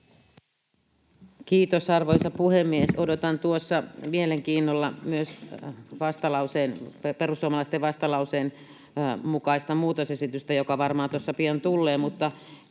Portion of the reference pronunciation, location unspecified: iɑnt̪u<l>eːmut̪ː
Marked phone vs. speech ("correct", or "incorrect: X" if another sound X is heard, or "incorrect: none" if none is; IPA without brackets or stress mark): incorrect: lː